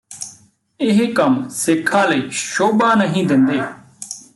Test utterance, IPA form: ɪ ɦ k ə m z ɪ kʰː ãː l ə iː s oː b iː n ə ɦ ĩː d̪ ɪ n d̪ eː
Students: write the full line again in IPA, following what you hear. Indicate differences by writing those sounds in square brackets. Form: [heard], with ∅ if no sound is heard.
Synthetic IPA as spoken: ɪ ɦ k ə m [s] ɪ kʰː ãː l ə iː [ʃ] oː b [aː] n ə ɦ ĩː d̪ ɪ n d̪ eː